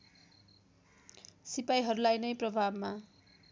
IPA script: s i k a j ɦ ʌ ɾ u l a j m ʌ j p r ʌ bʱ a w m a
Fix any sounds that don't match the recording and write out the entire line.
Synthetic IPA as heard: s i p a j ɦ ʌ ɾ u l a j n ʌ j p r ʌ bʱ a b m a